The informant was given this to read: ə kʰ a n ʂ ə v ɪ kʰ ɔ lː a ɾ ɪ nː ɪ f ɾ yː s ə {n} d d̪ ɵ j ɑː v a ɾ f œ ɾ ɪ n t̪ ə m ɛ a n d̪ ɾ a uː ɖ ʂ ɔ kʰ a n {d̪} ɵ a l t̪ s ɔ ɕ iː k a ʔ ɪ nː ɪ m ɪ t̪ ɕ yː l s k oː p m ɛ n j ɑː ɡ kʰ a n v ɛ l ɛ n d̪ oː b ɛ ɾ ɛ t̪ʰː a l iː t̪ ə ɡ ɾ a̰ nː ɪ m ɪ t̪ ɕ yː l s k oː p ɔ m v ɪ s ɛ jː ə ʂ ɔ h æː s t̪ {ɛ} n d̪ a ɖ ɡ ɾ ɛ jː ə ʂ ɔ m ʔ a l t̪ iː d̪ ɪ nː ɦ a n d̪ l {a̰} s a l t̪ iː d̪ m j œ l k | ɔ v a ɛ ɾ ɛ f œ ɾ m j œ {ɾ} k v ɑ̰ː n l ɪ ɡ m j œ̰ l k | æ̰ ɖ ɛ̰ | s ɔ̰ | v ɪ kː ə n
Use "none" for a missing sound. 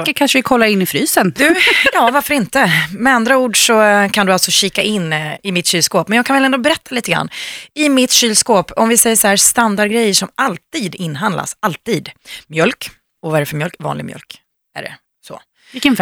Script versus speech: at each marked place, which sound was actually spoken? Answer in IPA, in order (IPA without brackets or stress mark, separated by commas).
n, d̪, a, a̰, l